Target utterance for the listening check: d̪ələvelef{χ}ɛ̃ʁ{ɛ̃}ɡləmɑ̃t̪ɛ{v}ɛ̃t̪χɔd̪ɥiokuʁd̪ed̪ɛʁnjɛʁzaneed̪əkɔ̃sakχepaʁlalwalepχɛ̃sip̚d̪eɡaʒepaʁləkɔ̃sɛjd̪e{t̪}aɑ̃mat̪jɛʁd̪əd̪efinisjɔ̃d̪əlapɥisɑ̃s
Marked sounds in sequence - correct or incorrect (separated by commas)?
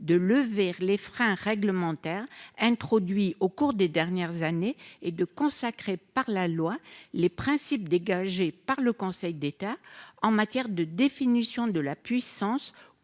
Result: correct, incorrect, incorrect, correct